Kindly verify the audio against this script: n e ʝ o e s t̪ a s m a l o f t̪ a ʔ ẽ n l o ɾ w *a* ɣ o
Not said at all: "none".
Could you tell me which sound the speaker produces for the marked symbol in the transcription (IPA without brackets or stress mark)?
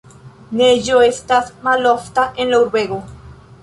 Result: e